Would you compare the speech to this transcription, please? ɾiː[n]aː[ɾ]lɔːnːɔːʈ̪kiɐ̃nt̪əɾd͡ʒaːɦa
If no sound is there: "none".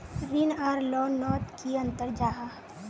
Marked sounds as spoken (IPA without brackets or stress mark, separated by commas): n, ɾ